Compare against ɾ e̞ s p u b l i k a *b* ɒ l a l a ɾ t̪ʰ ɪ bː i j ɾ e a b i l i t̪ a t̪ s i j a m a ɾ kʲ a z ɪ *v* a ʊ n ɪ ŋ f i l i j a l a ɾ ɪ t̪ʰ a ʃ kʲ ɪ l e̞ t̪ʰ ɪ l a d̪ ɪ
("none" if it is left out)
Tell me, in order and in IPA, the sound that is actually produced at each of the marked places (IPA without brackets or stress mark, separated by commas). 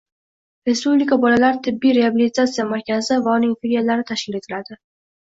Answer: b, v